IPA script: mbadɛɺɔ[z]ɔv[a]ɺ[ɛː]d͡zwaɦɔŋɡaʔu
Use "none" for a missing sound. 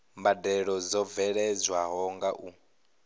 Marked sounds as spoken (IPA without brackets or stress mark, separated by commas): z, ɛ, ɛ